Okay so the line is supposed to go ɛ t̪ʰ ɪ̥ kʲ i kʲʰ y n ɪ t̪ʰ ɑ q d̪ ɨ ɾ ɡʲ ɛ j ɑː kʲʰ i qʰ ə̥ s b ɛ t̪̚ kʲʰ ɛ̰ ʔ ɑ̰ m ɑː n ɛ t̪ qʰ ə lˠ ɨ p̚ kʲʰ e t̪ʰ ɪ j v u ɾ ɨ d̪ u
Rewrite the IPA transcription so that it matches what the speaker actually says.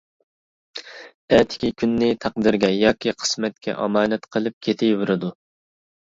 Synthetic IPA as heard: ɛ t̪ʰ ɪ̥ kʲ i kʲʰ y nː ɪ t̪ʰ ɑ q d̪ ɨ ɾ ɡʲ ɛ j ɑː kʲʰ i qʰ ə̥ s m ɛ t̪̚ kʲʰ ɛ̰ ʔ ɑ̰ m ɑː n ɛ t̪ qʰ ə lˠ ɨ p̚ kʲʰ e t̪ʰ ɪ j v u ɾ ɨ d̪ u